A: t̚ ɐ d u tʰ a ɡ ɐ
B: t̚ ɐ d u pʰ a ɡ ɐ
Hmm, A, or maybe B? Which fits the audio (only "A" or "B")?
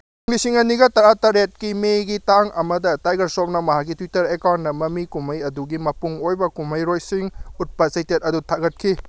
A